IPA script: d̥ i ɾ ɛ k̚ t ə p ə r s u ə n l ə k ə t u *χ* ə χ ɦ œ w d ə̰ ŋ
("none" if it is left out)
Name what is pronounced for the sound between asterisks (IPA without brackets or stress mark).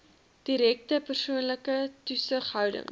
s